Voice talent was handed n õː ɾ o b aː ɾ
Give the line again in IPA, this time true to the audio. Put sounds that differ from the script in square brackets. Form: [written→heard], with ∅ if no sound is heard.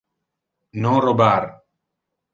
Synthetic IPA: n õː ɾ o b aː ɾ